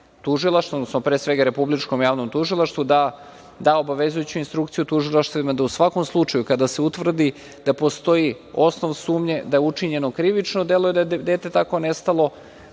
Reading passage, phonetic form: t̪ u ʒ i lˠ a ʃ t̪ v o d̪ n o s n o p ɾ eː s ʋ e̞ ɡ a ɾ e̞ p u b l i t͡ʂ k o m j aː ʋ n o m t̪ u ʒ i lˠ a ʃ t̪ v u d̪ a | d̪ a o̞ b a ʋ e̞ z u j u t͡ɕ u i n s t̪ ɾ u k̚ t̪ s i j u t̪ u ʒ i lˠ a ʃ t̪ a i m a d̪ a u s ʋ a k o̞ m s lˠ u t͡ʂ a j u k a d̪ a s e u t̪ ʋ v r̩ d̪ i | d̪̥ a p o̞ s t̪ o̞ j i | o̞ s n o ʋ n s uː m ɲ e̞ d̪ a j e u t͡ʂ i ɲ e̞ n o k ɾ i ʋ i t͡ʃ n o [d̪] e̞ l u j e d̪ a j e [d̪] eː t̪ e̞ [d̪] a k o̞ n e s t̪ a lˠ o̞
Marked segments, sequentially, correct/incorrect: correct, correct, incorrect: t̪

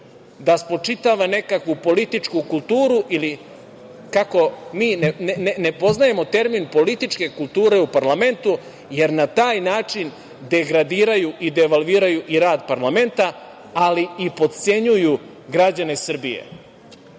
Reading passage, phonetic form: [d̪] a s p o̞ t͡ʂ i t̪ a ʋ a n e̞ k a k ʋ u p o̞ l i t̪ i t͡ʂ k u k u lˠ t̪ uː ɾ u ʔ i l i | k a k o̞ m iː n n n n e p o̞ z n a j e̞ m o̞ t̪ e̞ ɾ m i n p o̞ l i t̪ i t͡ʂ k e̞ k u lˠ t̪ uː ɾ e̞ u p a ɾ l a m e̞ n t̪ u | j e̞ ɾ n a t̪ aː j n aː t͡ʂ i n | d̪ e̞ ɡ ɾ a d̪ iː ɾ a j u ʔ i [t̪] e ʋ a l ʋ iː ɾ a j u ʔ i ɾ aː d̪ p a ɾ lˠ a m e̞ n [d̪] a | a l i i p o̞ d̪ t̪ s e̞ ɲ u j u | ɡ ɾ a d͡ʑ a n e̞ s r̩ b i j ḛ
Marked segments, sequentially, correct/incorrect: correct, incorrect: d̪, incorrect: t̪

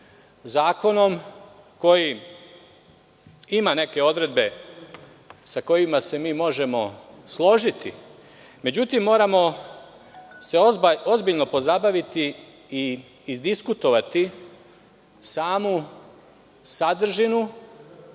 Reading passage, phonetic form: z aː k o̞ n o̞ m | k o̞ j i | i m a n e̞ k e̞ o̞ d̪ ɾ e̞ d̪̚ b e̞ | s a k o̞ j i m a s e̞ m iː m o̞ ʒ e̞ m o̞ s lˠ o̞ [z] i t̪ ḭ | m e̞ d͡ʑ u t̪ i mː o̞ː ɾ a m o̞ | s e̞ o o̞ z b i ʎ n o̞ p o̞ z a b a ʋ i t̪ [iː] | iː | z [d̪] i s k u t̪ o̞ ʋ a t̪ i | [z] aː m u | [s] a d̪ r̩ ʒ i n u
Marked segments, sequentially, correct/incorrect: incorrect: ʒ, incorrect: i, correct, incorrect: s, correct

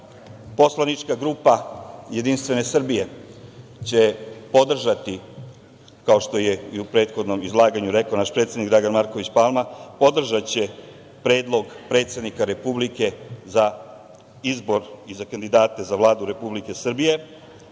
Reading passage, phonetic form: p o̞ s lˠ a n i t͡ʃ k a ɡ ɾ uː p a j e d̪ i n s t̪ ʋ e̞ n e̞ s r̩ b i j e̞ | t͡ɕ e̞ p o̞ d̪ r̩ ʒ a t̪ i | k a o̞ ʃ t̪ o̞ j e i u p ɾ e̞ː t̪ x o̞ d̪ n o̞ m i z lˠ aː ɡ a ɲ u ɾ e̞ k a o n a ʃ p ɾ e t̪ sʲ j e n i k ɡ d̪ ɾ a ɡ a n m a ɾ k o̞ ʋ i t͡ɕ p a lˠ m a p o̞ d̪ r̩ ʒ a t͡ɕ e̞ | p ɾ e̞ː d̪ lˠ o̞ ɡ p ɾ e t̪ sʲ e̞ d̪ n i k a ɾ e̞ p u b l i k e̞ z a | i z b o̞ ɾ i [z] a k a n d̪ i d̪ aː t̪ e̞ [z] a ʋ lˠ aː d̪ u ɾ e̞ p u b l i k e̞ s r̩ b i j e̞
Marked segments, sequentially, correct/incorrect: correct, correct

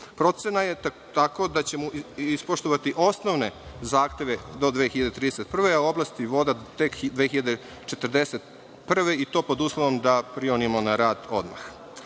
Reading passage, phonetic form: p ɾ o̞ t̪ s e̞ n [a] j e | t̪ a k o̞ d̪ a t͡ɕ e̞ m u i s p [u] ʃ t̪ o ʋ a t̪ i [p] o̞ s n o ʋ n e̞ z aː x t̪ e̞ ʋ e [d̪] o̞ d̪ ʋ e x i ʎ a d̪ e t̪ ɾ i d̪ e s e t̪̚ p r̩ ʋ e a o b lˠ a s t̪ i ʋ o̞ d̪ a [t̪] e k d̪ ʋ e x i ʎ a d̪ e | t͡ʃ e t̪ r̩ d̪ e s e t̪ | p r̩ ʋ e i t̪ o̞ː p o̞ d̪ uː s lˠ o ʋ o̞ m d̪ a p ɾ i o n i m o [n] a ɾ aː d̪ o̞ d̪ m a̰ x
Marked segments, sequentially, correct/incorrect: correct, incorrect: o, incorrect: ʔ, correct, correct, correct

